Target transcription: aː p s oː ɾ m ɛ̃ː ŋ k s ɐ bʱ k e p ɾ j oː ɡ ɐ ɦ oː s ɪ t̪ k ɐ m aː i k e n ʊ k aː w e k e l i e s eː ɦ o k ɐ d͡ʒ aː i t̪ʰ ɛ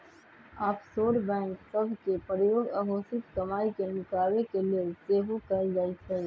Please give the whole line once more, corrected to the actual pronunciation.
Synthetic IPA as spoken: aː p s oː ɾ b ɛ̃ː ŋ k s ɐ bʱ k e p ɾ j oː ɡ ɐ ɦ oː s ɪ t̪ k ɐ m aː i k e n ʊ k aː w e k e l i e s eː ɦ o k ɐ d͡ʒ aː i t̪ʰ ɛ